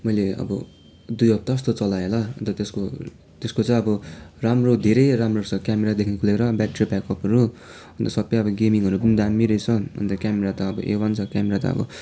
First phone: m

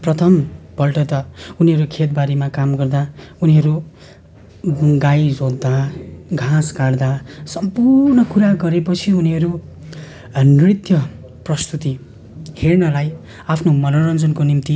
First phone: p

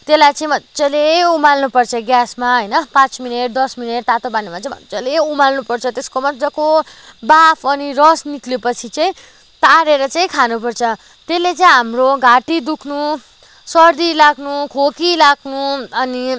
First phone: t̪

